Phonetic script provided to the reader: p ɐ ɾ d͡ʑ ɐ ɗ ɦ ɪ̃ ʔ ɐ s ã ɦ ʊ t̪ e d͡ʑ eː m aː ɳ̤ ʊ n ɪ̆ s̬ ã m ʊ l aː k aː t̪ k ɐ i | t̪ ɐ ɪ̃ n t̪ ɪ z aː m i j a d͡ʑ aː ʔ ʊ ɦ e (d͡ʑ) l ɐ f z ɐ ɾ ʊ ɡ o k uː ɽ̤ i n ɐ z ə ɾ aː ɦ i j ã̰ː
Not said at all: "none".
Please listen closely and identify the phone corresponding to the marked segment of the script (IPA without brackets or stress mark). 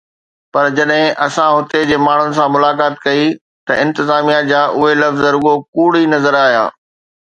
none